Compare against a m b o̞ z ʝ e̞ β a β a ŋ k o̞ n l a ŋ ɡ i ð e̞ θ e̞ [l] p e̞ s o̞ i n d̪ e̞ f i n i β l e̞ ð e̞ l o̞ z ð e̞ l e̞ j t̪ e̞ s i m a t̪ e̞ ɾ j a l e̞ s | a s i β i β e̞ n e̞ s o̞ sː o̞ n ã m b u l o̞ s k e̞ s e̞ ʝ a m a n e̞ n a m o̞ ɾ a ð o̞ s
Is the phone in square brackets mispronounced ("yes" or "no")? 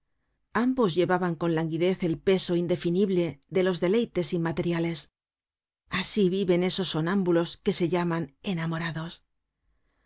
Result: no